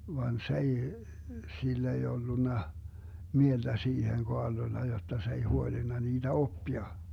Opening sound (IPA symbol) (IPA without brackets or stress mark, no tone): ʋ